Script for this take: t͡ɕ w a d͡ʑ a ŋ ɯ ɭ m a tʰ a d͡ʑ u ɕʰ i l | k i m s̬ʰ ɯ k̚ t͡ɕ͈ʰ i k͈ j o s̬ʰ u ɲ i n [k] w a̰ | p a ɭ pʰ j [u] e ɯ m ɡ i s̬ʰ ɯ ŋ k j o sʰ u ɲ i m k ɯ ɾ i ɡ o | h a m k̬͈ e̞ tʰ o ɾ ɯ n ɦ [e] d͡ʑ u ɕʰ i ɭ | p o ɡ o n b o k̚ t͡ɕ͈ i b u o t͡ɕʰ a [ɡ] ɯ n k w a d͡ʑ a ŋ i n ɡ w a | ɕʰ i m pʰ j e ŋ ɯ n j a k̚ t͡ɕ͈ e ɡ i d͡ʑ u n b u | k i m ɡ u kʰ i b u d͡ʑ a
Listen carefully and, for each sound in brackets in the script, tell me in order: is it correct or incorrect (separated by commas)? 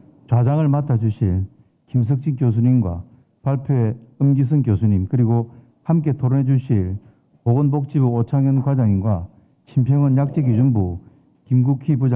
incorrect, incorrect, correct, incorrect